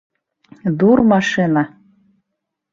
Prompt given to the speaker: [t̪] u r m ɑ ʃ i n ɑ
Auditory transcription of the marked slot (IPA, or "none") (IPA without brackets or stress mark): d̪